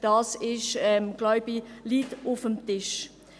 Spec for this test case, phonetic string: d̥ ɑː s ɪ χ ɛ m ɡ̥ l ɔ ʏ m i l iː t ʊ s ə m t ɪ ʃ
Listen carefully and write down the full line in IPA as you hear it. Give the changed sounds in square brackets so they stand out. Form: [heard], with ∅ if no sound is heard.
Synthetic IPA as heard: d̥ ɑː s ɪ [ʃ] ɛ m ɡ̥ l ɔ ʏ [b] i l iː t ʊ [f] ə m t ɪ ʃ